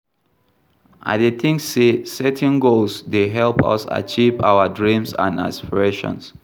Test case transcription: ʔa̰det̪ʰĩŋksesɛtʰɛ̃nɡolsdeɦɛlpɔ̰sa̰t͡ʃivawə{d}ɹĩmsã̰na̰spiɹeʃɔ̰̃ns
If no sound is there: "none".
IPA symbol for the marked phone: d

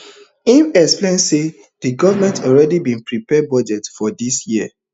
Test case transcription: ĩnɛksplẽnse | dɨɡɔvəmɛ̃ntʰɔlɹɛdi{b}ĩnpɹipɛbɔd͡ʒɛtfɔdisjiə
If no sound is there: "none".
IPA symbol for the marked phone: b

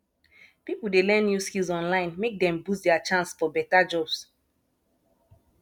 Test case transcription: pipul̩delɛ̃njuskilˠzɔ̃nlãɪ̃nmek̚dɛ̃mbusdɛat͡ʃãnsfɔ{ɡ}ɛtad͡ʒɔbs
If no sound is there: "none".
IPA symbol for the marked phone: b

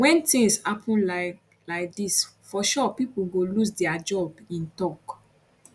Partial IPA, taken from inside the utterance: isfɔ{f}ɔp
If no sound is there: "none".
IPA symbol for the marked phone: ʃ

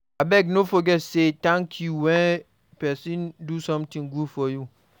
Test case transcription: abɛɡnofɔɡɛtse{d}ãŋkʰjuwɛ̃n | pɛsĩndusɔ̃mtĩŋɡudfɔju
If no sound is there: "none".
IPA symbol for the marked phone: t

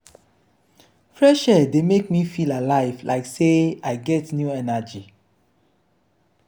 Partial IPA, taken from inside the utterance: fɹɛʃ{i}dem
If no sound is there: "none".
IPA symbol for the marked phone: ɛ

